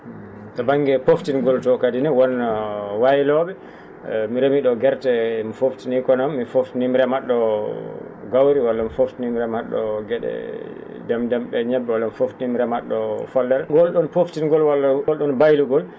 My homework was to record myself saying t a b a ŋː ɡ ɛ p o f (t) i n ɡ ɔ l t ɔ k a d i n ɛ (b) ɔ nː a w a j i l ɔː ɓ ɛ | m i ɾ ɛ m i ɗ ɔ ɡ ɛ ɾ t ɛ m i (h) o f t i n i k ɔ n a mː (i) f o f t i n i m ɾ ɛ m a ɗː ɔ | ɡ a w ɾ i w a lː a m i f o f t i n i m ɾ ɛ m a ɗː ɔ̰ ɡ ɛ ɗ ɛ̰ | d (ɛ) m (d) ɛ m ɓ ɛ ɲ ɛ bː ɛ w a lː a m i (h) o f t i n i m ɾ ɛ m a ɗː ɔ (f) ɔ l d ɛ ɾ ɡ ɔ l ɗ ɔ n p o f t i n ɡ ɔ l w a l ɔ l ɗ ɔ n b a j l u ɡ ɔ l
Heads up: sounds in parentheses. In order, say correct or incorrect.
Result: correct, incorrect: w, incorrect: f, correct, correct, correct, incorrect: f, correct

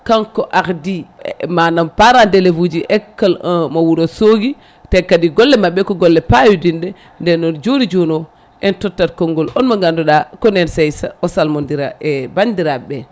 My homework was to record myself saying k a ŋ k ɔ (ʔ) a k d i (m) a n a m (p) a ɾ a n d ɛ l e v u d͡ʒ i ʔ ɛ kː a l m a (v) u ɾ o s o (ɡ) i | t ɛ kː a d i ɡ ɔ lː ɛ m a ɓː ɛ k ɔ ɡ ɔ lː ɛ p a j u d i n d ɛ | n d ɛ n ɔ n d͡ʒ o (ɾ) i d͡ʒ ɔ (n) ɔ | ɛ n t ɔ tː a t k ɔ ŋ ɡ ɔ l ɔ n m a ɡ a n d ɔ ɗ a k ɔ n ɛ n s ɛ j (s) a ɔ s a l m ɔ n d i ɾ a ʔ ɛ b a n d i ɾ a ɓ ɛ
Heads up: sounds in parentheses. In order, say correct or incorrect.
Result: correct, correct, correct, incorrect: w, correct, correct, correct, correct

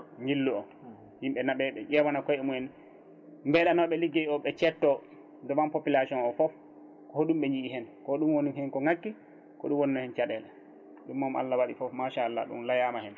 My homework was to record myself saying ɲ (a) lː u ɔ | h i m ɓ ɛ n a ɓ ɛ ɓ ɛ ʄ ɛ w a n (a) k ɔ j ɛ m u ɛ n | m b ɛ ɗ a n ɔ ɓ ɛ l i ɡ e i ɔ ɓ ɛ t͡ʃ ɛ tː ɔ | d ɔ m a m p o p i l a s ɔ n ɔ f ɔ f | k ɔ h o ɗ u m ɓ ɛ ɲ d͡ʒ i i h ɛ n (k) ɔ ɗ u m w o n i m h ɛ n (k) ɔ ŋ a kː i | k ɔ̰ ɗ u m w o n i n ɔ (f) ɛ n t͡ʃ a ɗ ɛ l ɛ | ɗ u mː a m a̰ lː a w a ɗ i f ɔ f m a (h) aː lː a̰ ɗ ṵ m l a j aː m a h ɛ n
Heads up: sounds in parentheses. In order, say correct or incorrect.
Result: incorrect: i, correct, correct, correct, incorrect: h, incorrect: ʃ

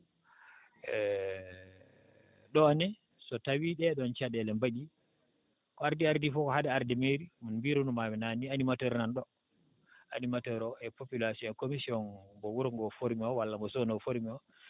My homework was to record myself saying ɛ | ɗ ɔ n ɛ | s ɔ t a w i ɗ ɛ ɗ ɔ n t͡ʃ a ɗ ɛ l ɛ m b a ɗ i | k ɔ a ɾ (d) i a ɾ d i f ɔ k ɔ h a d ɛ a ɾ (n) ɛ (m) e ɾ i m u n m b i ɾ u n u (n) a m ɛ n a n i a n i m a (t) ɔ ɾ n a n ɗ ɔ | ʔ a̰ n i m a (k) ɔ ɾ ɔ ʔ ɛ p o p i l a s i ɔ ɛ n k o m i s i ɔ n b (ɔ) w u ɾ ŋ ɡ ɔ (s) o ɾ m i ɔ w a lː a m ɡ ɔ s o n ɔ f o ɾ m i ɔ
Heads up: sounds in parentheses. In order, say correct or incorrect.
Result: correct, incorrect: d, correct, incorrect: m, correct, incorrect: t, correct, incorrect: f

